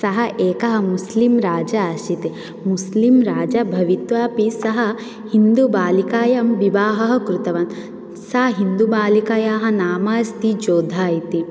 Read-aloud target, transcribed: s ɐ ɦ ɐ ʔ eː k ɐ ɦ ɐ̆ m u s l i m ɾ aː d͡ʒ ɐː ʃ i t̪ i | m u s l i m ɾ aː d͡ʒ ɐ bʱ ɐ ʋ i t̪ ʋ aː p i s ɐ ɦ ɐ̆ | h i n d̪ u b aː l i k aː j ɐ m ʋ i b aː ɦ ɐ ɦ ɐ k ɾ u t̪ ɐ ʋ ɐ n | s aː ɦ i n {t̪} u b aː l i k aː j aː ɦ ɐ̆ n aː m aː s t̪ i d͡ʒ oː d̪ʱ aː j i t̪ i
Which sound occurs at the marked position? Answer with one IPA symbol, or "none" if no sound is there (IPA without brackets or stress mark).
d̪